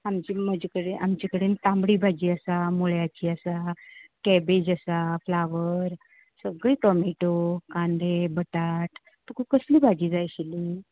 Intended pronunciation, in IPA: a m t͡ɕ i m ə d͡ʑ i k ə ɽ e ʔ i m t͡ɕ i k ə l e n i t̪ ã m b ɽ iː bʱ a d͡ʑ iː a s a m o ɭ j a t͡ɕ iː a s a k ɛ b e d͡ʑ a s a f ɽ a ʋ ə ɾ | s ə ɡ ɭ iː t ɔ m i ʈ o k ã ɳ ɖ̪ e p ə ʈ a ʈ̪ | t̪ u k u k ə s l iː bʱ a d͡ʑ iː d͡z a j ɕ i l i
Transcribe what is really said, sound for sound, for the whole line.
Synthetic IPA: a m t͡ɕ i m ə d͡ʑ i k ə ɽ e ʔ a m t͡ɕ i k ə ɽ e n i t̪ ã m b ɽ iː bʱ a d͡ʑ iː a s a m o ɭ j a t͡ɕ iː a s a k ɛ b e d͡ʑ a s a f l a ʋ ə ɾ | s ə ɡ ɭ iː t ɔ m i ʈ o k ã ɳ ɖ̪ e b ə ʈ a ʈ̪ | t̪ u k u k ə s l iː bʱ a d͡ʑ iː d͡z a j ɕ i l i